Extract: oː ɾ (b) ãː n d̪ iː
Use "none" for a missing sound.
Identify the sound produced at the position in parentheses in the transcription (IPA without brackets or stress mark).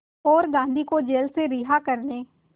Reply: ɡ